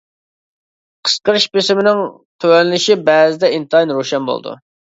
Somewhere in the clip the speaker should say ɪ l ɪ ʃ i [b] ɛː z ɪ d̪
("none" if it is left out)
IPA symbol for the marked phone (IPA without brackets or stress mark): b